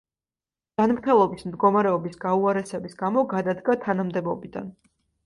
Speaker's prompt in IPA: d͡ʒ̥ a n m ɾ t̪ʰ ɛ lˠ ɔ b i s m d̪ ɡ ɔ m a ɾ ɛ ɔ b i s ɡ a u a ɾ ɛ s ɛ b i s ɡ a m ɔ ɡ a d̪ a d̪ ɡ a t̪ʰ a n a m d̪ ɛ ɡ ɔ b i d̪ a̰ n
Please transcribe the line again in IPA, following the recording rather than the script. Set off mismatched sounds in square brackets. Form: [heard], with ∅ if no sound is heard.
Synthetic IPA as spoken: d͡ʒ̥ a n m ɾ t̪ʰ ɛ lˠ ɔ b i s m d̪ ɡ ɔ m a ɾ ɛ ɔ b i s ɡ a u a ɾ ɛ s ɛ b i s ɡ a m ɔ ɡ a d̪ a d̪ ɡ a t̪ʰ a n a m d̪ ɛ [b] ɔ b i d̪ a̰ n